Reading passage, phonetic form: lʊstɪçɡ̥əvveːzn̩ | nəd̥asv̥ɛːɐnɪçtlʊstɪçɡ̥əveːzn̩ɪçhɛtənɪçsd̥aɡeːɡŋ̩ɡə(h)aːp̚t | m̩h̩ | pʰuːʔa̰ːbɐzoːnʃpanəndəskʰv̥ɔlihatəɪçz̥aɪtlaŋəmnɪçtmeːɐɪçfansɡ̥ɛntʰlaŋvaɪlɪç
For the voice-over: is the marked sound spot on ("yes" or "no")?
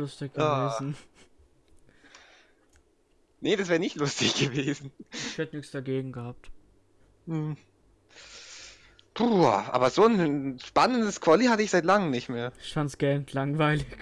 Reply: yes